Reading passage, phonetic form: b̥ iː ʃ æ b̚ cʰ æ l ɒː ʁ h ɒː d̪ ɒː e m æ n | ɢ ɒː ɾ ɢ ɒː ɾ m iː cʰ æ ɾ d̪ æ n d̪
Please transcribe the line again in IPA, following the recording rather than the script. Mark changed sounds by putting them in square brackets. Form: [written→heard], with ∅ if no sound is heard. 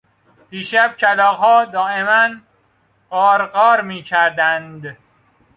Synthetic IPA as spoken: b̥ iː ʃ æ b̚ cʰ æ l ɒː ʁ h ɒː d̪ ɒː e m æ n | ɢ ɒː ɾ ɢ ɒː ɾ m iː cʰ æ ɾ d̪ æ n d̪